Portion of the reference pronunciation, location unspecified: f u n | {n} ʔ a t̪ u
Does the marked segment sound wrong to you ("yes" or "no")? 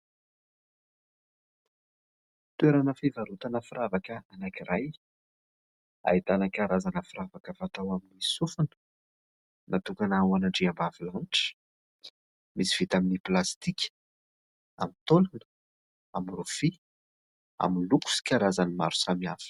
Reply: no